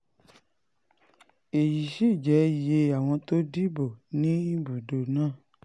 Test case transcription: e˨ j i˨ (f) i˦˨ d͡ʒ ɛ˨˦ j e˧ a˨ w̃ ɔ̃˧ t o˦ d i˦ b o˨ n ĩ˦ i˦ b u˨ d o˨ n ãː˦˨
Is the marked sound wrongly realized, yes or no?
yes